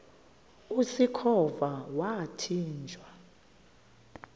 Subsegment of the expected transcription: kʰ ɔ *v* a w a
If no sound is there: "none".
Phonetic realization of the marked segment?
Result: v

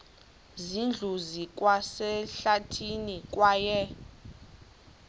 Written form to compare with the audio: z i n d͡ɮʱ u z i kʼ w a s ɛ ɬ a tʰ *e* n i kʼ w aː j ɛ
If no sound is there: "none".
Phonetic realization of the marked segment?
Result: i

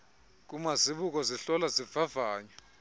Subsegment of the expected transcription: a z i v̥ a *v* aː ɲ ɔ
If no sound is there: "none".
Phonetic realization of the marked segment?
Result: v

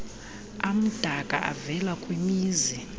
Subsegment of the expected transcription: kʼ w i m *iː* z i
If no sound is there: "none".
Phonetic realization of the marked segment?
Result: iː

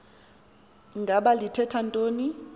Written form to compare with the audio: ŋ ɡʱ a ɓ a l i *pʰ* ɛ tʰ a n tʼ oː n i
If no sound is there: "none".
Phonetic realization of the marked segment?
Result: tʰ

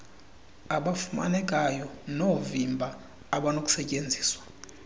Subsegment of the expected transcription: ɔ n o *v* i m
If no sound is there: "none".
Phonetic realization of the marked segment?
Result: v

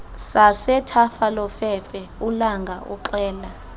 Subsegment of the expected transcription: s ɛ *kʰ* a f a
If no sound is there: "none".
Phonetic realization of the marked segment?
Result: tʰ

